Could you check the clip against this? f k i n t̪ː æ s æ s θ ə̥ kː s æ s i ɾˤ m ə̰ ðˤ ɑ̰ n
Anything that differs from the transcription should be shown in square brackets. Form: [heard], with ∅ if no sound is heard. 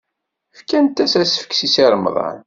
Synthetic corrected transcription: f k [æ] n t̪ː æ s æ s [f] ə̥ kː s [i] s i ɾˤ m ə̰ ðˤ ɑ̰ n